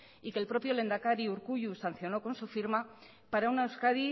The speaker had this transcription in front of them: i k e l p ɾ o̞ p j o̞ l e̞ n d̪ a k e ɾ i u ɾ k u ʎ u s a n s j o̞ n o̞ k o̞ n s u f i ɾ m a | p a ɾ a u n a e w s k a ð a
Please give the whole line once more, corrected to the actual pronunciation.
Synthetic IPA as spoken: i k e l p ɾ o̞ p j o̞ l e̞ n d̪ a k a ɾ i u ɾ k u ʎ u s a n θ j o̞ n o̞ k o̞ n s u f i ɾ m a | p a ɾ a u n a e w s k a ð i